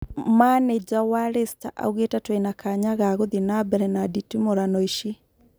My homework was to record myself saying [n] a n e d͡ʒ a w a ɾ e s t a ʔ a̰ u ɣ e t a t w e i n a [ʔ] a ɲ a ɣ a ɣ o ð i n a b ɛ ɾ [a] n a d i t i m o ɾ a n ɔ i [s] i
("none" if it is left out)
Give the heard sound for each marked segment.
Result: m, k, ɛ, ʃ

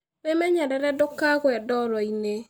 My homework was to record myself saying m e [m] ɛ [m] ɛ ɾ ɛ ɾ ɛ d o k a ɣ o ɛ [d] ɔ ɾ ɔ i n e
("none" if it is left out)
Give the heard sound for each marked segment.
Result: m, ɲ, d

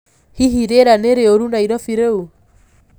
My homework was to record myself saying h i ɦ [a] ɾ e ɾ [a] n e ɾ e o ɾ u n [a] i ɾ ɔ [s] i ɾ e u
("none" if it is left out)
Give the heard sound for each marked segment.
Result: i, a, a, f

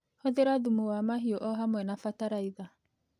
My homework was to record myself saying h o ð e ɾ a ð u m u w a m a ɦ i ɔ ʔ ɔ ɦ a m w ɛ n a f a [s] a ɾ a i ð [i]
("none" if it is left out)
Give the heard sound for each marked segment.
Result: t, a

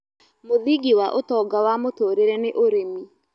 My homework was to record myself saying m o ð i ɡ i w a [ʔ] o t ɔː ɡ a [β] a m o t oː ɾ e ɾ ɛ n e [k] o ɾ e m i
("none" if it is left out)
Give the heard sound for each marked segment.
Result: ʔ, w, ʔ

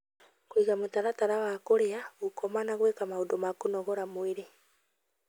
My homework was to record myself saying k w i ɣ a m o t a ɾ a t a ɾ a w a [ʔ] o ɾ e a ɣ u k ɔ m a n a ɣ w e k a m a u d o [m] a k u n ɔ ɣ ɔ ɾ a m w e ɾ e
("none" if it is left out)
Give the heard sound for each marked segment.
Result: k, m

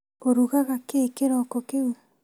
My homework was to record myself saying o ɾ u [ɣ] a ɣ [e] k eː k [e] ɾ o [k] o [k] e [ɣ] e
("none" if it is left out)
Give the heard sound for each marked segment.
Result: ɣ, a, e, k, k, w

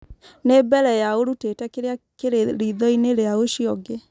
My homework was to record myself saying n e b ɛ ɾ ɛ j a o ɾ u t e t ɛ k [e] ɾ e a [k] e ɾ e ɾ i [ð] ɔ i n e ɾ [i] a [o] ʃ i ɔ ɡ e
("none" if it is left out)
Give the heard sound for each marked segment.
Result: e, k, ð, e, o

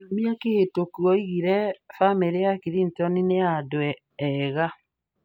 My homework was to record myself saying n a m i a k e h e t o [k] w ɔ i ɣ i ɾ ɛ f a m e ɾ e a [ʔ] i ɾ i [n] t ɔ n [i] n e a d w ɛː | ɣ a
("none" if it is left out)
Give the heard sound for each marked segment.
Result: k, k, n, i

